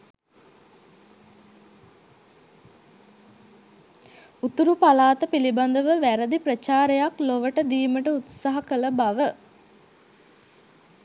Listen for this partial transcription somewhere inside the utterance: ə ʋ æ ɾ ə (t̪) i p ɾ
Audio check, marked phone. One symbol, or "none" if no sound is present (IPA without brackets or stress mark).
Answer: d̪